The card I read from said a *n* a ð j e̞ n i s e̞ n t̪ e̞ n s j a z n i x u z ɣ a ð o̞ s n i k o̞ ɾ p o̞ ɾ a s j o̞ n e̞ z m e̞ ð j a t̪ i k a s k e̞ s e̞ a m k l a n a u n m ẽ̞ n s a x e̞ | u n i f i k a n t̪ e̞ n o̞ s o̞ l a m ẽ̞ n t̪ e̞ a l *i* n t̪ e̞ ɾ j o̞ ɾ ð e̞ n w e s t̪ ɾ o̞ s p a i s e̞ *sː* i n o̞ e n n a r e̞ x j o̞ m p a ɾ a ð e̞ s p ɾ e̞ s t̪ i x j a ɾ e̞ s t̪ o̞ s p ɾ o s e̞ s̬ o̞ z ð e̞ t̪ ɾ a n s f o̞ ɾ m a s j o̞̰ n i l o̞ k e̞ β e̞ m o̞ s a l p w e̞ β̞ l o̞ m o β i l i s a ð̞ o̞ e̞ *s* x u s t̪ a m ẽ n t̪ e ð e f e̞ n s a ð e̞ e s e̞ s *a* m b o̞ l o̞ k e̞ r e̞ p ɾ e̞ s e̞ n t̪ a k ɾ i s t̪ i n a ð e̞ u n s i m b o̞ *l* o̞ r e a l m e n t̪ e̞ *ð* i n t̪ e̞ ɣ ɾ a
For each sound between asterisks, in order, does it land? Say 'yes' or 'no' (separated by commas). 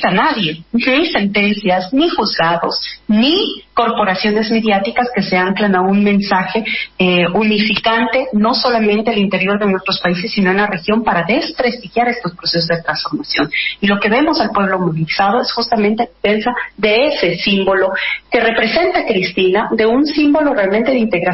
yes, yes, yes, yes, no, yes, yes